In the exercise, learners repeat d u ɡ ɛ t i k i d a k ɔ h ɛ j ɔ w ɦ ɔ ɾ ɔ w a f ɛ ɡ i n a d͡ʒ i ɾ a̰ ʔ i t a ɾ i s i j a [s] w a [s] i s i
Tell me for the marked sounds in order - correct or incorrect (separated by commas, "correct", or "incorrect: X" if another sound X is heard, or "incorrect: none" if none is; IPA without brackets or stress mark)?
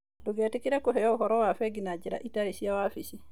incorrect: none, incorrect: f